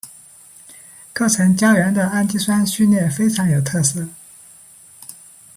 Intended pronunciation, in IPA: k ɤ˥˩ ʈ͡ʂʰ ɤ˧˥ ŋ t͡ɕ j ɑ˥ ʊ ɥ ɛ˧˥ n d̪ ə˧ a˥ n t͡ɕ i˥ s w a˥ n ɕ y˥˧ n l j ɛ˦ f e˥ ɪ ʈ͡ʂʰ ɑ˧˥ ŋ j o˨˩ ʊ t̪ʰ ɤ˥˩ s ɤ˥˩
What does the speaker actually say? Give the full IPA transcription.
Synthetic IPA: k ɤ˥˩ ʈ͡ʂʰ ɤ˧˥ ŋ t͡ɕ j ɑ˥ ʊ ɥ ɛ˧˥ n d̪ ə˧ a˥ n t͡ɕ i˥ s w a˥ n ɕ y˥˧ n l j ɛ˥˩ f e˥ ɪ ʈ͡ʂʰ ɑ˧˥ ŋ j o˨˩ ʊ t̪ʰ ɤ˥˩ s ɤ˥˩